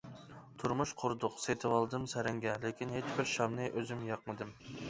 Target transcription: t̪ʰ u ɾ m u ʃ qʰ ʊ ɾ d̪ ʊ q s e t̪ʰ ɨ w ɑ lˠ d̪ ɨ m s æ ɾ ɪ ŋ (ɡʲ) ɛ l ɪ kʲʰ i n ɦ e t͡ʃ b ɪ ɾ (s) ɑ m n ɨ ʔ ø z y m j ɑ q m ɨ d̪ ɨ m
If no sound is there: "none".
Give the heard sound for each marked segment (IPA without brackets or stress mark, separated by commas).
ɡʲ, ʃ